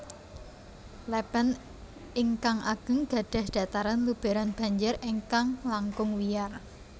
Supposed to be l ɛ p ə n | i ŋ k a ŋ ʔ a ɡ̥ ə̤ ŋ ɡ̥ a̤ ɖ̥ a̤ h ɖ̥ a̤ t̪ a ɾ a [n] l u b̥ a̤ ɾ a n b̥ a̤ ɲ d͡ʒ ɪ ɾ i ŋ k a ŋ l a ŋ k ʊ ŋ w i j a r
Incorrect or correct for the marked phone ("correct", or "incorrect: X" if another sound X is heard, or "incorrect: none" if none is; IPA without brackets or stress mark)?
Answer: correct